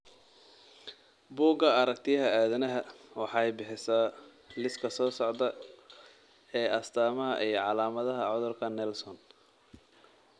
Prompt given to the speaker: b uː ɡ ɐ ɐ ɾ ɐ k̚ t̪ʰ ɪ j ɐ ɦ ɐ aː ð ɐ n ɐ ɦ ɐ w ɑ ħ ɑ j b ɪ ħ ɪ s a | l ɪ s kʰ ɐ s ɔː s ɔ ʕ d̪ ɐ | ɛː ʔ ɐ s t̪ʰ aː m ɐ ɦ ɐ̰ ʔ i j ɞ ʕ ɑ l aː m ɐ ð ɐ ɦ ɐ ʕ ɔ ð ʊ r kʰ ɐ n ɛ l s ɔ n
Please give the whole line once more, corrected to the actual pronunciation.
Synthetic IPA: b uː ɡ ɐ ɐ ɾ ɐ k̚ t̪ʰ ɪ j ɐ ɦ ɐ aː ð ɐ n ɐ ɦ ɐ w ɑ ħ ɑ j b ɪ ħ ɪ s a | l ɪ s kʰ ɐ s ɔː s ɔ ʕ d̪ ɐ | ɛː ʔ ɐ s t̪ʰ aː m ɐ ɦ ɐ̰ ʔ i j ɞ ʕ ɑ l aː m ɐ ð ɐ ɦ ɐ ʕ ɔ ð ʊ r kʰ ɐ n ɛ l s ɔ n